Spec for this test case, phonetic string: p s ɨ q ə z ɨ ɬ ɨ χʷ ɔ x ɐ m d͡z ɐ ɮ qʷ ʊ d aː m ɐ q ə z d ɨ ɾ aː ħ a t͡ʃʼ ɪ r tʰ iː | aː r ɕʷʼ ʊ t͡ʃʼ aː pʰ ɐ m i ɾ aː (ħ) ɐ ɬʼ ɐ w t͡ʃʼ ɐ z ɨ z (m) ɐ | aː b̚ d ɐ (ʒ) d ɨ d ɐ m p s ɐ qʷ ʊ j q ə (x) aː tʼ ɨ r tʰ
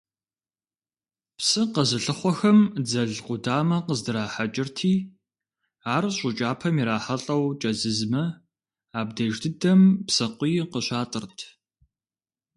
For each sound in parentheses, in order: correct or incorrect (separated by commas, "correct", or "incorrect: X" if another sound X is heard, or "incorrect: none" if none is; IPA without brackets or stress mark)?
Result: correct, correct, correct, incorrect: ɕ